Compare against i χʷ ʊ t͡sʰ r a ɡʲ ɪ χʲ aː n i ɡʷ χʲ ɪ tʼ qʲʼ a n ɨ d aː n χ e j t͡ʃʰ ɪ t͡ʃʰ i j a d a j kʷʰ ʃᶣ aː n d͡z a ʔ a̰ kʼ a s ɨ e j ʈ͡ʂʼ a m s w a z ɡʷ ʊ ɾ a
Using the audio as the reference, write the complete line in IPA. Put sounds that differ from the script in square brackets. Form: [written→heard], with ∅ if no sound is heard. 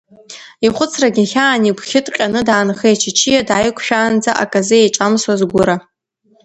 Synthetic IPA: i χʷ ʊ t͡sʰ r a ɡʲ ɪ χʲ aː n i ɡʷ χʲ ɪ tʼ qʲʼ a n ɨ d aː n χ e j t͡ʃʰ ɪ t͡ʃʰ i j a d a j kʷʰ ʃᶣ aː n d͡z a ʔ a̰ kʼ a [s→z] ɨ e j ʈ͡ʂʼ a m s w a z ɡʷ ʊ ɾ a